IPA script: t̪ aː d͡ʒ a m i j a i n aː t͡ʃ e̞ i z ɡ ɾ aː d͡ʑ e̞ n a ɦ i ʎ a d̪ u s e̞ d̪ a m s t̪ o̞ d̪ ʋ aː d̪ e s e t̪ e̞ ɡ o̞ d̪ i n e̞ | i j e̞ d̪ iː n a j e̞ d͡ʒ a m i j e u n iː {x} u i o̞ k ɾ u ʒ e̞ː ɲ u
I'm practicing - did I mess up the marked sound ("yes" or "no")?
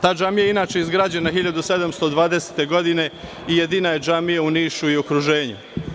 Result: yes